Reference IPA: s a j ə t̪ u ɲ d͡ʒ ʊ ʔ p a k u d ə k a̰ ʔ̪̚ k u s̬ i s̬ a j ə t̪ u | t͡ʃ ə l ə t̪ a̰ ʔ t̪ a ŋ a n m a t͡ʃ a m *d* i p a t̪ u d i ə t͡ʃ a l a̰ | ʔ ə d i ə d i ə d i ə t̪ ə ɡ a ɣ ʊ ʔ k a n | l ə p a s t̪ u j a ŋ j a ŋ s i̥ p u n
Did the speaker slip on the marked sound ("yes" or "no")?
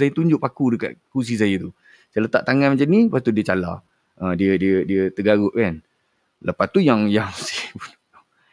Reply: yes